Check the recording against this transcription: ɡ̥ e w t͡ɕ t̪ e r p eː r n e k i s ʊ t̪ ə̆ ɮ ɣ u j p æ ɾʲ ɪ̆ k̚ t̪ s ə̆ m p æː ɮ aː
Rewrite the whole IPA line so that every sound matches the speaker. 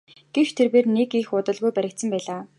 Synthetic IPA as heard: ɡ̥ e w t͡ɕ t̪ʰ e r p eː r n e k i x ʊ t̪ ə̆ ɮ ɣ u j p æ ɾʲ ɪ̆ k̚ t̪ s ə̆ m p æː ɮ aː